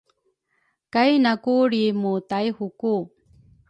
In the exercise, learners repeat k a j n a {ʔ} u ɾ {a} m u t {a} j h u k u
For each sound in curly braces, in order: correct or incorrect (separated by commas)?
incorrect, incorrect, correct